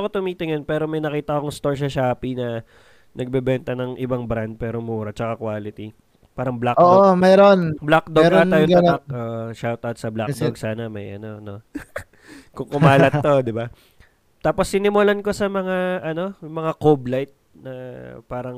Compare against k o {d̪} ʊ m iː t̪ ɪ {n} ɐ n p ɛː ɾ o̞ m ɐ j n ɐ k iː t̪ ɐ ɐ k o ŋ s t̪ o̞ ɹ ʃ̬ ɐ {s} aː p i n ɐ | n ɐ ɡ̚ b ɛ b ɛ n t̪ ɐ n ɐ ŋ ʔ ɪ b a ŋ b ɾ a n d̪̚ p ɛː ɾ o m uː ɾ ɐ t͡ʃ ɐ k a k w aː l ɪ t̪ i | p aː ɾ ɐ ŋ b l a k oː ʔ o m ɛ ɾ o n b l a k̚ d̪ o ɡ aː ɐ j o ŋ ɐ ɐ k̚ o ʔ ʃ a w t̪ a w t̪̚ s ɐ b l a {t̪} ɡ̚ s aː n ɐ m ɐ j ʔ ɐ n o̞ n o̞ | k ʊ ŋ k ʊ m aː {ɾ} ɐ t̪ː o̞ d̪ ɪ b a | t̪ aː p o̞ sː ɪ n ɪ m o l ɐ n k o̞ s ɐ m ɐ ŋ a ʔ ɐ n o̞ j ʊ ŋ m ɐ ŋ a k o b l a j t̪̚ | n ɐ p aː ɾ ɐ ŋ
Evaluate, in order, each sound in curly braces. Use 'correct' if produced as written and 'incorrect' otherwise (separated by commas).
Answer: incorrect, incorrect, incorrect, incorrect, incorrect